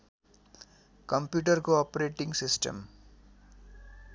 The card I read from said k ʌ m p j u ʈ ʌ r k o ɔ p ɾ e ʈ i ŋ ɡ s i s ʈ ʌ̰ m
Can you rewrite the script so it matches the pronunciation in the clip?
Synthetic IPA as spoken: k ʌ m p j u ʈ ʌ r k o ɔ p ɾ e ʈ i ŋ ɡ s i s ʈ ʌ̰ m